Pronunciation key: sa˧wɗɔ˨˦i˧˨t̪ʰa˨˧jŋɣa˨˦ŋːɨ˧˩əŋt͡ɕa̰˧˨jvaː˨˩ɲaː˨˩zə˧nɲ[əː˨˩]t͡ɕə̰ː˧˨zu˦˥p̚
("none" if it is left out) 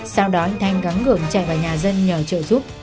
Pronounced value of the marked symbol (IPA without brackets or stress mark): əː˨˩